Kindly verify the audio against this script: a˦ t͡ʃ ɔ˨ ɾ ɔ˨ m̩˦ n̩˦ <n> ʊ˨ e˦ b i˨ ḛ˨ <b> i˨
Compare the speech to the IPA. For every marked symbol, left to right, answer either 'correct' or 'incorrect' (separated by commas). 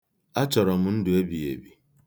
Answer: incorrect, correct